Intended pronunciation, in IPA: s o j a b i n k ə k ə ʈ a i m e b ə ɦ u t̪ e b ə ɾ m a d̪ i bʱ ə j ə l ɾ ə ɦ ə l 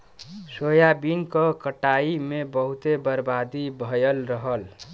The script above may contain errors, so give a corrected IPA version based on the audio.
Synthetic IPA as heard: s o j a b i n k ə k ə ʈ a i m e b ə ɦ u t̪ e b ə ɾ b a d̪ i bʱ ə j ə l ɾ ə ɦ ə l